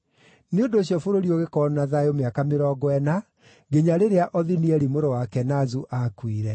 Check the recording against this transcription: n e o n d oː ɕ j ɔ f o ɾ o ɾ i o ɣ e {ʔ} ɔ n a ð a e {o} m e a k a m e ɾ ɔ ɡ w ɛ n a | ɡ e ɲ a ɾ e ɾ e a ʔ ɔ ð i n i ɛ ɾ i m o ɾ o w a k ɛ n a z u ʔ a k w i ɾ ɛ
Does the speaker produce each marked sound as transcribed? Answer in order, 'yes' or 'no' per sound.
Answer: no, yes

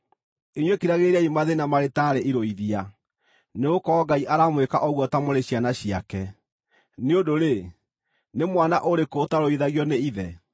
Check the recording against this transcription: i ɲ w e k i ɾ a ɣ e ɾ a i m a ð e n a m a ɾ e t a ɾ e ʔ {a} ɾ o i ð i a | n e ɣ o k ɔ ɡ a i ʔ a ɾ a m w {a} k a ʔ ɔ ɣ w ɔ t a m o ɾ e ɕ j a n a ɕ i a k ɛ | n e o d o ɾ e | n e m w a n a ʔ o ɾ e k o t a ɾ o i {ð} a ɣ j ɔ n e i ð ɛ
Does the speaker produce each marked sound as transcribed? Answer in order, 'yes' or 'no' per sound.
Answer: no, no, yes

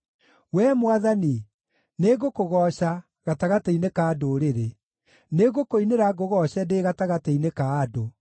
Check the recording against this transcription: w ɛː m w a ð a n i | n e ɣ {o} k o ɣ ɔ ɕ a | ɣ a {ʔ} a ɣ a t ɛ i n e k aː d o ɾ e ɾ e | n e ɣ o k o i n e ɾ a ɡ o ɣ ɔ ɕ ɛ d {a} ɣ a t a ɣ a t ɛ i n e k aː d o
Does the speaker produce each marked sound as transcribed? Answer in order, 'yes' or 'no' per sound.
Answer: yes, no, no

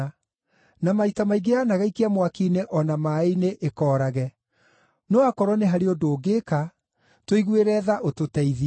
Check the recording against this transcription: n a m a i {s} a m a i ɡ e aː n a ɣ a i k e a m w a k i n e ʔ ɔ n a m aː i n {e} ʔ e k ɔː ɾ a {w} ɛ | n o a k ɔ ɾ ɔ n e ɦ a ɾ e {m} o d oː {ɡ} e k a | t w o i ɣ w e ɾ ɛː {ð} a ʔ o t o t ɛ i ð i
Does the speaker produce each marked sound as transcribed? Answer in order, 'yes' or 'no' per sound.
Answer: no, yes, no, no, yes, yes

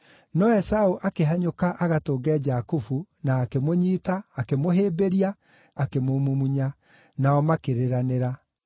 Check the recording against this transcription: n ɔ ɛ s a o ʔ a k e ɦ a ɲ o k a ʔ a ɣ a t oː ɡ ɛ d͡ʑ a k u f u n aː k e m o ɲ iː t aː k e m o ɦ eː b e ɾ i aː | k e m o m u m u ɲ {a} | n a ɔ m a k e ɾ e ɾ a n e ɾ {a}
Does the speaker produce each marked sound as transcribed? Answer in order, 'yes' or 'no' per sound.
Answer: yes, yes

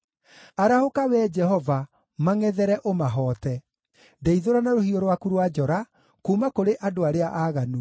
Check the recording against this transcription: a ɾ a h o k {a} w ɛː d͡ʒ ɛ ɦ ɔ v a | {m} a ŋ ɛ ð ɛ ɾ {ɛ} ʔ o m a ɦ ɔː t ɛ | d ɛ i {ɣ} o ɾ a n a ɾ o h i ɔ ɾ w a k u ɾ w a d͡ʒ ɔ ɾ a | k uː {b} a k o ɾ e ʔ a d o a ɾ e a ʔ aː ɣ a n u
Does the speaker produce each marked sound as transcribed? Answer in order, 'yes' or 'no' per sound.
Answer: yes, yes, yes, no, no

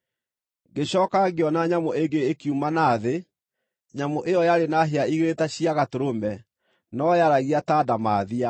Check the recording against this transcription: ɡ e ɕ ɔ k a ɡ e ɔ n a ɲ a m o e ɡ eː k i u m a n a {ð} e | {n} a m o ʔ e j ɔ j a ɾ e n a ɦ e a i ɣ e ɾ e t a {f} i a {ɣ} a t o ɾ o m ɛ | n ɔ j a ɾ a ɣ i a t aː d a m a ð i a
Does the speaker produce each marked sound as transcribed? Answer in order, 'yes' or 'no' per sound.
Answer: yes, no, no, yes

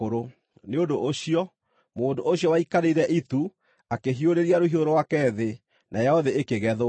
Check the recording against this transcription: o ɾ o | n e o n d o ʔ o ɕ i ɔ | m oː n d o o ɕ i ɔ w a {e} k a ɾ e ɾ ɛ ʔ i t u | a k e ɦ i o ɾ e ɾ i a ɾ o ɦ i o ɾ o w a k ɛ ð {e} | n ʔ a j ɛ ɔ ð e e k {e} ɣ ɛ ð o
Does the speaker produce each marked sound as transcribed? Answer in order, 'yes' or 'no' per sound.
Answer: no, yes, yes

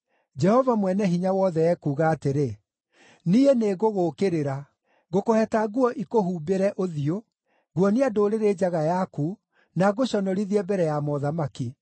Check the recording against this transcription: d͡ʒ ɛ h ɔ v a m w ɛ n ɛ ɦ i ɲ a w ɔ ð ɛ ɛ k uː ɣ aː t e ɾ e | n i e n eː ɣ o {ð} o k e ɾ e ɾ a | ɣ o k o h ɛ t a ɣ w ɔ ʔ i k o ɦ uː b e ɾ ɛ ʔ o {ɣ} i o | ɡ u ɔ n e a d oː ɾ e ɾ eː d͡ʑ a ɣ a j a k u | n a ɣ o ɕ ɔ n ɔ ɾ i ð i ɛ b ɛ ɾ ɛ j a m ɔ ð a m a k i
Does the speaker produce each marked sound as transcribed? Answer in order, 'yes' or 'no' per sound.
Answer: no, no

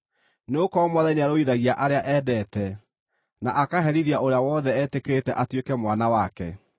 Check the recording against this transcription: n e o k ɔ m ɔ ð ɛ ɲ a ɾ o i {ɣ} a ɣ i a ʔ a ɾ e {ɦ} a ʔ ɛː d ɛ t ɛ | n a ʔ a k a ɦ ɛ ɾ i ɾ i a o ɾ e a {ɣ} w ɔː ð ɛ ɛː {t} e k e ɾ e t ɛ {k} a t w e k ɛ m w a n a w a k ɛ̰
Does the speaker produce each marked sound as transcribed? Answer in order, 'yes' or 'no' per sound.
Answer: no, no, no, yes, no

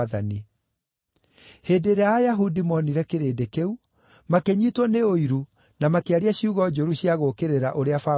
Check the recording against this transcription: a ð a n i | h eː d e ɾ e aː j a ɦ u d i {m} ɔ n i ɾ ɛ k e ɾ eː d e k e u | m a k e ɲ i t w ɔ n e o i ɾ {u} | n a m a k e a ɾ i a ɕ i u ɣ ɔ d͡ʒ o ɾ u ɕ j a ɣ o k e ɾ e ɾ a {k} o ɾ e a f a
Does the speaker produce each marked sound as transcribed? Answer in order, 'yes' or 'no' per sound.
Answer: yes, yes, no

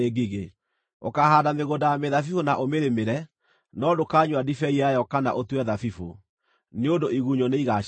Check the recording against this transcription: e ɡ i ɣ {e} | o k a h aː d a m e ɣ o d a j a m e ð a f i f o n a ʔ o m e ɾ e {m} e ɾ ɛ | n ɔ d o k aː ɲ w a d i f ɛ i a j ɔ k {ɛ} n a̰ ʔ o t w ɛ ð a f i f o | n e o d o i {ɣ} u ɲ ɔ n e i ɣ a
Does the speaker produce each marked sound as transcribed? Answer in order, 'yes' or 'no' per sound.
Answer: yes, yes, no, yes

